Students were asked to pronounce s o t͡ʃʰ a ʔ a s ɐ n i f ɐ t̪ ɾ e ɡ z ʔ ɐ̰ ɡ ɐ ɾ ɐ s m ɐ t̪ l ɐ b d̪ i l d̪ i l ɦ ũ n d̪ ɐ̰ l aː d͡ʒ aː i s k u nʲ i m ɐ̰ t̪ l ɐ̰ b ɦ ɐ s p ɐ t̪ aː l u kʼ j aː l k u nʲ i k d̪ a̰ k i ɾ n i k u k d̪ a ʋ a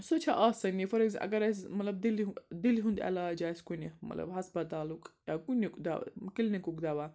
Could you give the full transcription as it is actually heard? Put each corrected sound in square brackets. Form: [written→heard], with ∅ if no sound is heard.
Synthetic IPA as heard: s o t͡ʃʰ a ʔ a s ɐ n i f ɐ [t̪→∅] ɾ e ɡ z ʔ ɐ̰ ɡ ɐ ɾ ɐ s m ɐ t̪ l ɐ b d̪ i l d̪ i l ɦ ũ n d̪ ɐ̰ l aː d͡ʒ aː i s k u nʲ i m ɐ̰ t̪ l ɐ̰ b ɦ ɐ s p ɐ t̪ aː l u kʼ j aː [l→∅] k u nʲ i k d̪ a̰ k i [ɾ→l] n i k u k d̪ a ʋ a